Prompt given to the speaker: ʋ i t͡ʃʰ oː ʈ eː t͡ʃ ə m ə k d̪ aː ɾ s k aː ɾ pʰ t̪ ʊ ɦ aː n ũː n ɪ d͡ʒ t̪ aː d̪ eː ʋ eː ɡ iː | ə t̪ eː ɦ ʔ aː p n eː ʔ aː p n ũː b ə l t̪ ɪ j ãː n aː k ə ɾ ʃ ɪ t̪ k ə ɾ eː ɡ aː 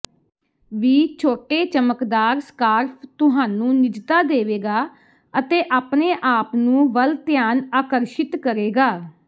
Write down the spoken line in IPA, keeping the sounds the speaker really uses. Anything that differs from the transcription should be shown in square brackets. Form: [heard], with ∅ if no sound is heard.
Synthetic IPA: ʋ [iː] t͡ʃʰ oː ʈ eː t͡ʃ ə m ə k d̪ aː ɾ s k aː ɾ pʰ t̪ ʊ ɦ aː n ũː n ɪ d͡ʒ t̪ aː d̪ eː ʋ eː ɡ [aː] | ə t̪ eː [∅] ʔ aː p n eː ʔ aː p n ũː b ə l t̪ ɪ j [aː] n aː k ə ɾ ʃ ɪ t̪ k ə ɾ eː ɡ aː